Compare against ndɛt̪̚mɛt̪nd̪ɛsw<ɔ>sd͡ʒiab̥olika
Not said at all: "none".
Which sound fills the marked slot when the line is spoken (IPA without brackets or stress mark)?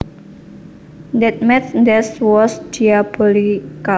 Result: ɔ